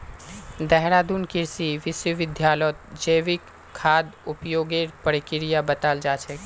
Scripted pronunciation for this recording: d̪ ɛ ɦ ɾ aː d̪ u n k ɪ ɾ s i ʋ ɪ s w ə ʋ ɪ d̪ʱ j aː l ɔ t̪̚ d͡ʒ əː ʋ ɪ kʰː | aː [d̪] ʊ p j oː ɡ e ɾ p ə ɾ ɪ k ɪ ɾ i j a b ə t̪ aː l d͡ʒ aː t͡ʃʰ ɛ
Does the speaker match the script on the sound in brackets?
yes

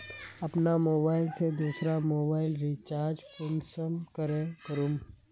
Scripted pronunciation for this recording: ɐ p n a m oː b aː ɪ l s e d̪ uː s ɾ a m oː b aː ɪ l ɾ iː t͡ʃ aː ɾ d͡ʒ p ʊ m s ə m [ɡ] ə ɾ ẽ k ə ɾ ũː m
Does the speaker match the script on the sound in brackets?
no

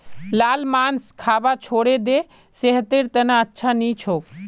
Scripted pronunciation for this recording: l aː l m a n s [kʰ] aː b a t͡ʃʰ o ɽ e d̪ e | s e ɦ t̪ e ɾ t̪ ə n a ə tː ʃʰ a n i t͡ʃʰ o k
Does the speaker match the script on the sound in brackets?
yes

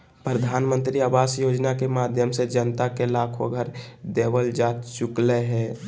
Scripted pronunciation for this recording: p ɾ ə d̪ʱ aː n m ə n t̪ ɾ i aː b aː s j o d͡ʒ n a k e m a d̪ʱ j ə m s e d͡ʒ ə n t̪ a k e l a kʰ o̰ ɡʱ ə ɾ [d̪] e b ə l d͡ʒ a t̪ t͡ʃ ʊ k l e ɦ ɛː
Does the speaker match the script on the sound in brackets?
yes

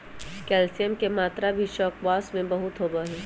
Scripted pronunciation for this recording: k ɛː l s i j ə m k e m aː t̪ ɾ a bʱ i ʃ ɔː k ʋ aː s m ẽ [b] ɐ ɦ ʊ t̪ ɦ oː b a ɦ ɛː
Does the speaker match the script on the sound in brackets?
yes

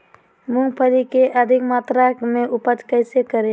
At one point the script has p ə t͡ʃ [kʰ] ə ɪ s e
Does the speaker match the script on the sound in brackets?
no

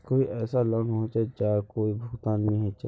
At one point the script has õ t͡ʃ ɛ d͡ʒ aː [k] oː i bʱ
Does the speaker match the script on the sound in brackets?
yes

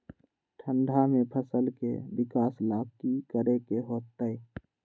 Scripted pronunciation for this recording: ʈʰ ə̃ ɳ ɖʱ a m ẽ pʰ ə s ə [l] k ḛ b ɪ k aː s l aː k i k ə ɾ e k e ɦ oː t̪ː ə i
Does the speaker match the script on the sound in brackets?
yes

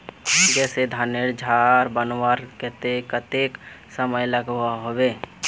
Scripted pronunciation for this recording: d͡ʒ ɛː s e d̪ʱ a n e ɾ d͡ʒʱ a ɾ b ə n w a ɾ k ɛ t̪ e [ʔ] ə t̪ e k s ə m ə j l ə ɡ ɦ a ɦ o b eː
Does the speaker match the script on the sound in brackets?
no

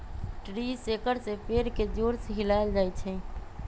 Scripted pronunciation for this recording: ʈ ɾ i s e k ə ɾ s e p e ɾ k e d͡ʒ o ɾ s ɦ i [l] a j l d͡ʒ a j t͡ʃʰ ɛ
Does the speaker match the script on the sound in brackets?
yes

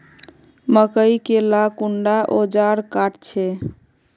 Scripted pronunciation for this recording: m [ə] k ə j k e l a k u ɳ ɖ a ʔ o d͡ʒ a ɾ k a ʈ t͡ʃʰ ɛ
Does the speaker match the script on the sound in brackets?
yes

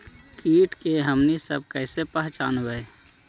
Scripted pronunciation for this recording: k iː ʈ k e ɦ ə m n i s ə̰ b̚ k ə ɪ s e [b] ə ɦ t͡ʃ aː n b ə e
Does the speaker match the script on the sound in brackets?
no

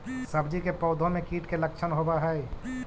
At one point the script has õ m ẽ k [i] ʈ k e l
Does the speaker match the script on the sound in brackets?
no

